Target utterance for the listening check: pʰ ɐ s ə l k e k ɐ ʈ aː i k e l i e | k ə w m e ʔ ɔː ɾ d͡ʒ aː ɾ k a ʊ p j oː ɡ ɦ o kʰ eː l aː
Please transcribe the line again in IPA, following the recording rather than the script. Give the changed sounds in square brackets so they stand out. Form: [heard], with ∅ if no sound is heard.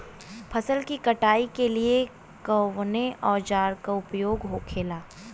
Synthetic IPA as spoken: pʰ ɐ s ə l k [i] k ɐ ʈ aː i k e l i e | k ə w [n] e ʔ ɔː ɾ d͡ʒ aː ɾ k a ʊ p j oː ɡ ɦ o kʰ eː l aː

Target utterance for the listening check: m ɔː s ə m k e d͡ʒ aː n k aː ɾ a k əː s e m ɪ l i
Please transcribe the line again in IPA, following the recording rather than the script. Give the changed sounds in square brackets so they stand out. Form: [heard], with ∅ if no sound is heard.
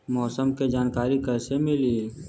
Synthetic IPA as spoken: m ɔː s ə m k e d͡ʒ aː n k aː ɾ [i] k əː s e m ɪ l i

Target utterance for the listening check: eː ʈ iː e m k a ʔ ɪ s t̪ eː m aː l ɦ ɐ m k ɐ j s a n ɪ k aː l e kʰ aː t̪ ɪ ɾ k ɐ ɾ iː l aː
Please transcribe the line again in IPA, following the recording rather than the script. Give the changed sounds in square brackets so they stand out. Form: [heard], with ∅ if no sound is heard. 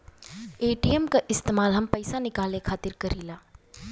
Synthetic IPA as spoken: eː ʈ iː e m k a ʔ ɪ s t̪ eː m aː l ɦ ɐ m [p] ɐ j s a n ɪ k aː l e kʰ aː t̪ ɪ ɾ k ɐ ɾ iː l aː

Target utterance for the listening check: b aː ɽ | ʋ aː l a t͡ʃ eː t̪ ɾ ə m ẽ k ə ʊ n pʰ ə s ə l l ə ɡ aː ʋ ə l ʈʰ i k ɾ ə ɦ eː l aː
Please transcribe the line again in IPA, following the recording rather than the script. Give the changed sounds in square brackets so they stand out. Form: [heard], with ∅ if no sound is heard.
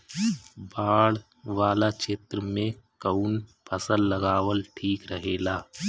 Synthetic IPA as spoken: b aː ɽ | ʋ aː l a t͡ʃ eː t̪ ɾ ə m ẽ k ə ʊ n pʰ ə s ə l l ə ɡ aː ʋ ə l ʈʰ [iː] k ɾ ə ɦ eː l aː

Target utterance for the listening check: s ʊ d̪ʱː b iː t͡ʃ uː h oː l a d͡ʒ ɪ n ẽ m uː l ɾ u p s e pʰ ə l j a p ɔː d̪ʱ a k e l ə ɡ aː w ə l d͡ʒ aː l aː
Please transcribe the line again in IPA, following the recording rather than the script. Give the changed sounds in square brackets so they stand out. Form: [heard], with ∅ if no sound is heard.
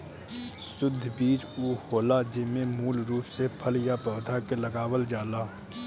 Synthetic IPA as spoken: s ʊ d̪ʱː b iː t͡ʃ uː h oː l a d͡ʒ ɪ [m] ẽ m uː l ɾ [uː] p s e pʰ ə l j a p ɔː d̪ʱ a k e l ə ɡ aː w ə l d͡ʒ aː l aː

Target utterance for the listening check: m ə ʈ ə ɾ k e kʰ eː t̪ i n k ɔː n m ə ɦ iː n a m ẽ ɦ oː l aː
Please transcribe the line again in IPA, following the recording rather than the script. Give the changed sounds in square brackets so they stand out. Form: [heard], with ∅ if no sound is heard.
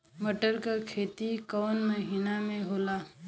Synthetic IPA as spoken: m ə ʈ ə ɾ k [a] kʰ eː t̪ i [∅] k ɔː n m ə ɦ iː n a m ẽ ɦ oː l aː

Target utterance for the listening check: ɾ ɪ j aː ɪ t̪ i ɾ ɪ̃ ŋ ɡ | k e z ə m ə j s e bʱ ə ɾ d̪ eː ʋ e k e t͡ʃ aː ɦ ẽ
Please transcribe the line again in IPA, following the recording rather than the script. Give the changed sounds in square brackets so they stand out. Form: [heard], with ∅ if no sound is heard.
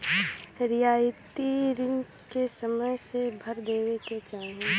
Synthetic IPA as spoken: ɾ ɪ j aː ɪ t̪ i ɾ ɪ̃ ŋ ɡ | k e [s] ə m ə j s e bʱ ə ɾ d̪ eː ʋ e k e t͡ʃ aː ɦ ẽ

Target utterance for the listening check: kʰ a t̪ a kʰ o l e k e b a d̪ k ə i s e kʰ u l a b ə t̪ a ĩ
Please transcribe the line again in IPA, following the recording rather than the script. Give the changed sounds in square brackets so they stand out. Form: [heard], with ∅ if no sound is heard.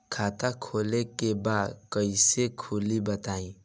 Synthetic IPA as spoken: kʰ a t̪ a kʰ o l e k e b a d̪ k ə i s e kʰ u l [i] b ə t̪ a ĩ

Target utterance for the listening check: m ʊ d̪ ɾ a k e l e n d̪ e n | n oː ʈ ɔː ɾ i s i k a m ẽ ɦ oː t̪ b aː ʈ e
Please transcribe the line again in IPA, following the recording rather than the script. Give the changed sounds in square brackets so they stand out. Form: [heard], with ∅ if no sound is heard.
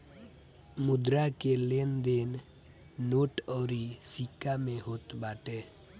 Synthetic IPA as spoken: m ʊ d̪ ɾ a k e l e n d̪ e n | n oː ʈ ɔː ɾ i s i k a m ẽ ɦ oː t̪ b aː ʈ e

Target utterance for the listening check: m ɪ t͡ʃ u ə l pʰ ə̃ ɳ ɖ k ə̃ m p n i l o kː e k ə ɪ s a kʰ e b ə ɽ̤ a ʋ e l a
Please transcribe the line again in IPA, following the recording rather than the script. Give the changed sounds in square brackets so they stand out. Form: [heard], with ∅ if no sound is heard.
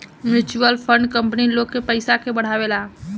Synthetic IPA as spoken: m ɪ t͡ʃ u ə l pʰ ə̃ ɳ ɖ k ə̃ m p n i l o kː e [p] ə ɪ s a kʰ e b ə ɽ̤ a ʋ e l a

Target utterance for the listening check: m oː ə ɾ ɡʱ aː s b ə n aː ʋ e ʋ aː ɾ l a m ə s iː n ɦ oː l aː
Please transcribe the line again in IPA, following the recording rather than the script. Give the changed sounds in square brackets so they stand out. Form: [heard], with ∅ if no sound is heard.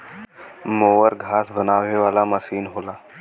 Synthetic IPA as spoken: m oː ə ɾ ɡʱ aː s b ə n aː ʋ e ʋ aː [∅] l a m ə s iː n ɦ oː l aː

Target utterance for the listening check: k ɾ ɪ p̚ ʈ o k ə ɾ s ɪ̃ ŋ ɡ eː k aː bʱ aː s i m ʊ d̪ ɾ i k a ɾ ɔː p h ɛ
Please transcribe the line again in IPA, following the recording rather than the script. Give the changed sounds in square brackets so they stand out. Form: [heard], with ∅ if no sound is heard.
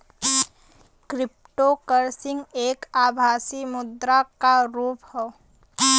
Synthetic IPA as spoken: k ɾ ɪ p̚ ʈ o k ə ɾ s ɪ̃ ŋ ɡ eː k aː bʱ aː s i m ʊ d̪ ɾ [a] k a ɾ [uː] p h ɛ

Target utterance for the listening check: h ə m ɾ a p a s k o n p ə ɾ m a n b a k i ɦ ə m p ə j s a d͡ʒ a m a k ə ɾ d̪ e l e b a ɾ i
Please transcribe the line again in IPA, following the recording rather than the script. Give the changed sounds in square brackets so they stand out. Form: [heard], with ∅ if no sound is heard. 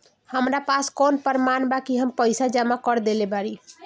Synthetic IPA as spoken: h ə m ɾ a p a s k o n p ə ɾ m a n b a k i ɦ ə m p ə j s a d͡ʒ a m a k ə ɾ d̪ e l e b a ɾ i

